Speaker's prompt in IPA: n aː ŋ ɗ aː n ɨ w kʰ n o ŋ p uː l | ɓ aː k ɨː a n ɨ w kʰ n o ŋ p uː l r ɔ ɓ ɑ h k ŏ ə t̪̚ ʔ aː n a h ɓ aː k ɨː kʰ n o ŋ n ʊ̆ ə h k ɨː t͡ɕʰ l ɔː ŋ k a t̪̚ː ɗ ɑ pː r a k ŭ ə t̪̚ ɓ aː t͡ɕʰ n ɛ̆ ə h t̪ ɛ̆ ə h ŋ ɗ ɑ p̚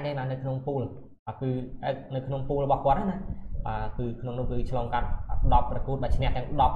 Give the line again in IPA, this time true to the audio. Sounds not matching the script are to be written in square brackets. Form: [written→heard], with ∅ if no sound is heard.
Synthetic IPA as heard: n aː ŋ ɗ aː n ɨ w kʰ n o ŋ p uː l | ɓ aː k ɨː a n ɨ w kʰ n o ŋ p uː l r ɔ ɓ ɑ h k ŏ ə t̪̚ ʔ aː n a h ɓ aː k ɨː kʰ n o ŋ n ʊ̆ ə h k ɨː t͡ɕʰ l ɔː ŋ k a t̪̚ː ɗ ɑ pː r [a→ɑ] k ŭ ə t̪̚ ɓ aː t͡ɕʰ n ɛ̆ ə h t̪ ɛ̆ ə [h→∅] ŋ ɗ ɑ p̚